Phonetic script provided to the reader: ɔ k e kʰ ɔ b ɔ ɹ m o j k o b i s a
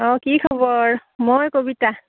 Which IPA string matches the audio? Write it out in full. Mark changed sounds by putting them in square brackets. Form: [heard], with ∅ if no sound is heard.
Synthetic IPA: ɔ k [i] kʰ ɔ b ɔ ɹ m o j k o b i [t] a